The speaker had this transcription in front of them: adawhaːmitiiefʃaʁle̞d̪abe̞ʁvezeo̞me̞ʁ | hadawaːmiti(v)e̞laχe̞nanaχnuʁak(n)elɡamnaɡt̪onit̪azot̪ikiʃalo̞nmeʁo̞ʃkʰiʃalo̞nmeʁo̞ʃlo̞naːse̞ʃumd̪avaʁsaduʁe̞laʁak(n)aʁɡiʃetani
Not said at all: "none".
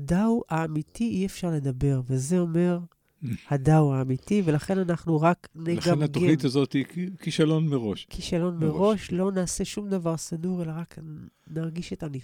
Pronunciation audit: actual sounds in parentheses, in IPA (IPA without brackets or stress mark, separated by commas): v, n, n